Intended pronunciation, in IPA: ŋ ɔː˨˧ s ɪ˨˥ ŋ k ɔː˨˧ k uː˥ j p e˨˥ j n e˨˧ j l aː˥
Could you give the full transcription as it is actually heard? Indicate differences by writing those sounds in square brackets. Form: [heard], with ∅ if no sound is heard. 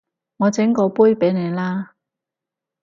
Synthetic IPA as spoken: ŋ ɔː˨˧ [t͡s] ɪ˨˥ ŋ k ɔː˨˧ [p] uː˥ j p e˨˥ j n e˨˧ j l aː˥